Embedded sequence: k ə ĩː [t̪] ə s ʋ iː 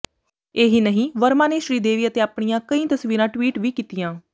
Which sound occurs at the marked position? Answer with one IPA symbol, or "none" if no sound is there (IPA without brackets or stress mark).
t̪